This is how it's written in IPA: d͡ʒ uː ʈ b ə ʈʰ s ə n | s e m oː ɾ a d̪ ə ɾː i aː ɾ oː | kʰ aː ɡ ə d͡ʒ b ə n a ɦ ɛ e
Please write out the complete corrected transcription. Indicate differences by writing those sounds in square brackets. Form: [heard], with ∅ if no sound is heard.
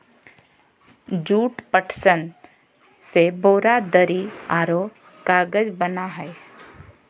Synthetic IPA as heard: d͡ʒ uː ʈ [p] ə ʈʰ s ə n | s e [b] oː ɾ a d̪ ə [ɾ] i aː ɾ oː | [k] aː ɡ ə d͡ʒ b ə n a ɦ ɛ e